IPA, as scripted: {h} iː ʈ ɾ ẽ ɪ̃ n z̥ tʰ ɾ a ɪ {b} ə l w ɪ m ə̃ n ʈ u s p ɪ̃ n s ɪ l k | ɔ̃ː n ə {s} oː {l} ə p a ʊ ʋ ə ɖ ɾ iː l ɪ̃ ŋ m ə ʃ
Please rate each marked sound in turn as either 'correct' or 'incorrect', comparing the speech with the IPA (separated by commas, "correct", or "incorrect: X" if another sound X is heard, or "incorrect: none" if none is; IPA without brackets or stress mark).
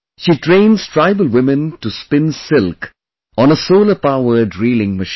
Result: incorrect: ʃ, correct, correct, correct